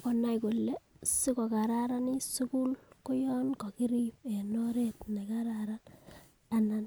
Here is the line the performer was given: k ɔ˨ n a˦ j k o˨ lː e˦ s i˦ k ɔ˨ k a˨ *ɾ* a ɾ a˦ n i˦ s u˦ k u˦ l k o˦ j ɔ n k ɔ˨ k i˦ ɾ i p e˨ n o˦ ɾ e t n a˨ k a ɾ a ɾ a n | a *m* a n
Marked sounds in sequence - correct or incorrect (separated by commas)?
correct, incorrect